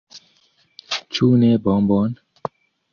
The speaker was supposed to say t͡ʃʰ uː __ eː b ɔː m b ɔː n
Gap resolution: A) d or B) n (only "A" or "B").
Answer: B